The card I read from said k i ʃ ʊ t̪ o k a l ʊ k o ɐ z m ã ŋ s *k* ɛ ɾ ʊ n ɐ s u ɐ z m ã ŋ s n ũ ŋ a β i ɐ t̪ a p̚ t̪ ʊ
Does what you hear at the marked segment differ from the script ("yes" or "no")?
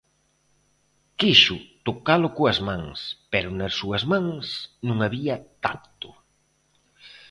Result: yes